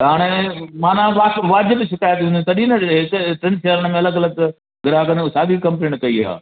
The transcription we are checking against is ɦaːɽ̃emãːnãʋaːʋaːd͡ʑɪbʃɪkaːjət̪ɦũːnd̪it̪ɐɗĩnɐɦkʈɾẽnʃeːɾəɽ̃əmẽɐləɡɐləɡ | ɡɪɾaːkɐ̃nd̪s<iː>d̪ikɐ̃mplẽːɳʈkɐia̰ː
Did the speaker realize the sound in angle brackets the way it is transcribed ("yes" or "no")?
no